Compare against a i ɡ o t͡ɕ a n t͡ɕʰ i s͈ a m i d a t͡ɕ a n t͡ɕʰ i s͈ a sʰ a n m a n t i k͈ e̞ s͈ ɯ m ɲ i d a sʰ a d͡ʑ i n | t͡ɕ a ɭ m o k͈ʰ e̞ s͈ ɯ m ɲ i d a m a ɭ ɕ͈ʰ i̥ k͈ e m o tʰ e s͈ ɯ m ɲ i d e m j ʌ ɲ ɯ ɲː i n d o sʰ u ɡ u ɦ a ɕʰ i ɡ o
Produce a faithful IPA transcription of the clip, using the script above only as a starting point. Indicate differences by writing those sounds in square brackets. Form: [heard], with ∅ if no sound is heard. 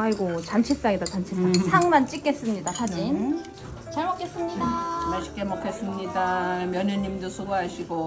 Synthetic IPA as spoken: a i ɡ o t͡ɕ a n t͡ɕʰ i s͈ a [ŋ] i d a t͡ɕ a n t͡ɕʰ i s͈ a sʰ a [ŋ] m a n [t͡ɕ͈] i k͈ e̞ s͈ ɯ m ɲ i d a sʰ a d͡ʑ i n | t͡ɕ a ɭ m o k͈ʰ e̞ s͈ ɯ m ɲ i d a m a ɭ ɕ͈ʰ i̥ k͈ e m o [kʰ] e s͈ ɯ m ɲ i d [a] m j ʌ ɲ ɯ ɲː i [m] d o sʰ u ɡ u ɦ a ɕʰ i ɡ o

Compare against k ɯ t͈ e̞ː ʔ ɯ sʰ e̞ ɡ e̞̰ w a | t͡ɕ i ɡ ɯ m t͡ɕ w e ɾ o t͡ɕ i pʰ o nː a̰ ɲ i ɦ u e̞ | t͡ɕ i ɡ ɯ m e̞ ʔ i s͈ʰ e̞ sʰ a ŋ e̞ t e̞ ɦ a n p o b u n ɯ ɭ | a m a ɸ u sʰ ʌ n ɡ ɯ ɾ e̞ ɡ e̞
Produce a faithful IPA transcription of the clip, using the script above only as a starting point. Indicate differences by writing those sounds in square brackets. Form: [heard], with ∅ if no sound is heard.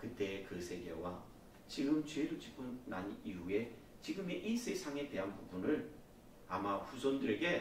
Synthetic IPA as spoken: k ɯ t͈ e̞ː [k] ɯ sʰ e̞ ɡ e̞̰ w a | t͡ɕ i ɡ ɯ m t͡ɕ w e ɾ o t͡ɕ i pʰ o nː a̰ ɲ i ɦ u e̞ | t͡ɕ i ɡ ɯ m e̞ ʔ i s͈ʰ e̞ sʰ a ŋ e̞ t e̞ ɦ a n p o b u n ɯ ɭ | a m a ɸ u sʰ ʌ n [d] ɯ ɾ e̞ ɡ e̞

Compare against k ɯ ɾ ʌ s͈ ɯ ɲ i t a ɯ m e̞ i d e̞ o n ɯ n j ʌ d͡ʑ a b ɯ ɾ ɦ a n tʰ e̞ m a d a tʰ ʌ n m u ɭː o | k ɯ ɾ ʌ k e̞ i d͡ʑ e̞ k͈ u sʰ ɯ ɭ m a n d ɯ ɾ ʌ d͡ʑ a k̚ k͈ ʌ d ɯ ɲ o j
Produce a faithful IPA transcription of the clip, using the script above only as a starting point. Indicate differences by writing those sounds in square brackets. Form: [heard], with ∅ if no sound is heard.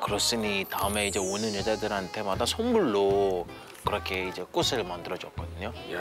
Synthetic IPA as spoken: k ɯ ɾ ʌ s͈ ɯ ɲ i t a ɯ m e̞ i [d͡ʑ] e̞ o n ɯ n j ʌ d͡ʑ a [d] ɯ ɾ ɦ a n tʰ e̞ m a d a [sʰ] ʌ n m u ɭː o | k ɯ ɾ ʌ [kʰ] e̞ i d͡ʑ e̞ k͈ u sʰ ɯ ɭ m a n d ɯ ɾ ʌ d͡ʑ [ʌ] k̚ k͈ ʌ d ɯ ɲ o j

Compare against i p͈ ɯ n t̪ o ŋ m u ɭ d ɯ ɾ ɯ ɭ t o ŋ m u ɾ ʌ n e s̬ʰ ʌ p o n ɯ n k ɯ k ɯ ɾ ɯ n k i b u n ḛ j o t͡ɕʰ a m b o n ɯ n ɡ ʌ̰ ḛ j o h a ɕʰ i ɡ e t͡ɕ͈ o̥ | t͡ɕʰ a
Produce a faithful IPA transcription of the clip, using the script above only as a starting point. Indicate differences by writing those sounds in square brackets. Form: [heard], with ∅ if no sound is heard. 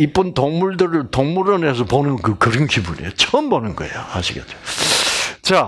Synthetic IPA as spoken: i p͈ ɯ n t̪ o ŋ m u ɭ d ɯ ɾ ɯ ɭ t o ŋ m u ɾ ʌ n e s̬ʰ ʌ p o n ɯ n k ɯ k ɯ ɾ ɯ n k i b u n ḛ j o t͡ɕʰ [ʌ] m b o n ɯ n ɡ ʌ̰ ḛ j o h a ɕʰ i ɡ e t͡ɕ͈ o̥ | [t͡ɕ] a

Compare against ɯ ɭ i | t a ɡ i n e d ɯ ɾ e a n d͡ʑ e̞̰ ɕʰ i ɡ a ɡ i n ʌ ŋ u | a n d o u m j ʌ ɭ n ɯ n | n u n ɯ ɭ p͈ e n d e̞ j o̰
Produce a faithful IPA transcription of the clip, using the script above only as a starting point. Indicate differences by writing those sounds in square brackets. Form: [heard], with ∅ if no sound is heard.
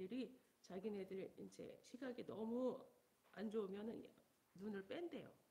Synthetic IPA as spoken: ɯ [ɾ] i | [t͡ɕ] a ɡ i n e d ɯ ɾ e [i] n d͡ʑ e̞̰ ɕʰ i ɡ a ɡ i n ʌ [m] u | a n [d͡ʑ] o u m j ʌ [∅] n ɯ n | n u n ɯ ɭ p͈ e n d e̞ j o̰

